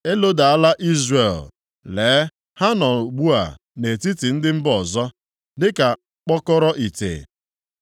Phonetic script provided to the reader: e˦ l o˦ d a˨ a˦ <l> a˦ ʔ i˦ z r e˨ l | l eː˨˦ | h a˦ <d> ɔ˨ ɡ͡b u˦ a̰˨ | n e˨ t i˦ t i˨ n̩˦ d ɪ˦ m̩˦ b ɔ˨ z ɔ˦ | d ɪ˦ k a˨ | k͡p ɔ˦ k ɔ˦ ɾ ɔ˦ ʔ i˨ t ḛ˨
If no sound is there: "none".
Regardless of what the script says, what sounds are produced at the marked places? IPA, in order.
l, n

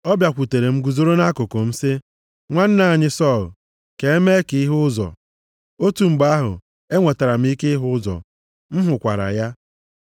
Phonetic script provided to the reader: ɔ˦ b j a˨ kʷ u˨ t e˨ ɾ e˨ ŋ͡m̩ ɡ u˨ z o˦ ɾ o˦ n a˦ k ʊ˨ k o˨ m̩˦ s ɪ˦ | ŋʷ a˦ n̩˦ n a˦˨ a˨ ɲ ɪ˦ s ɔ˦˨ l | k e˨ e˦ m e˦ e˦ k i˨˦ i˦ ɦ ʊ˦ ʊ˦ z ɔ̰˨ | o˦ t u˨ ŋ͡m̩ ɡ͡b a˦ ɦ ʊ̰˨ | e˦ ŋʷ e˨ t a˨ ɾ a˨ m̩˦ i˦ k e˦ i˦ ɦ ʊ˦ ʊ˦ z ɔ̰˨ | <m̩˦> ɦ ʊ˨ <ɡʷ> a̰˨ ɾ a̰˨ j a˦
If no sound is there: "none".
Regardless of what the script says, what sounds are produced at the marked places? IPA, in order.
m̩˦, kʷ

